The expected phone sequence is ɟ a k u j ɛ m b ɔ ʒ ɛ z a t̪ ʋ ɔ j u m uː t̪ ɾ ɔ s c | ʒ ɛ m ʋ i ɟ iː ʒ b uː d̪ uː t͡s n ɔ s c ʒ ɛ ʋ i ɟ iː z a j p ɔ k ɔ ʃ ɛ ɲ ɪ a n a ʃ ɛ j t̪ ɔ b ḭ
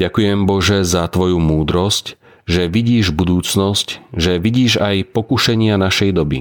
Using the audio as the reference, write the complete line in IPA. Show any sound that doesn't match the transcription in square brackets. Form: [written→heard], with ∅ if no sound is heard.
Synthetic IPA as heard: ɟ a k u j ɛ m b ɔ ʒ ɛ z a t̪ ʋ ɔ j u m uː [t̪→d̪] ɾ ɔ s c | ʒ ɛ [m→∅] ʋ i ɟ iː ʒ b [uː→u] d̪ uː t͡s n ɔ s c ʒ ɛ ʋ i ɟ iː [z→ʒ] a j p ɔ k [ɔ→u] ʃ ɛ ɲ ɪ a n a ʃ ɛ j [t̪→d̪] ɔ b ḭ